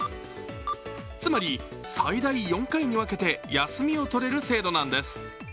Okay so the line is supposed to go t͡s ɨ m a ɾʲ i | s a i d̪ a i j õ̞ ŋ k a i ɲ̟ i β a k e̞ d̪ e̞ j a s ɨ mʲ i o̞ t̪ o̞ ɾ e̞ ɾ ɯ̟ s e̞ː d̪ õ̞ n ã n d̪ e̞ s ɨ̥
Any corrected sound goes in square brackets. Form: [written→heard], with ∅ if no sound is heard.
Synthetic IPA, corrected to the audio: t͡s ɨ m a ɾʲ i | s a i d̪ a i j õ̞ ŋ k a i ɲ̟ i β a k e̞ [d̪→t̪] e̞ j a s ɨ mʲ i o̞ t̪ o̞ ɾ e̞ ɾ ɯ̟ s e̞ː d̪ [õ̞→o̞] n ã n d̪ e̞ s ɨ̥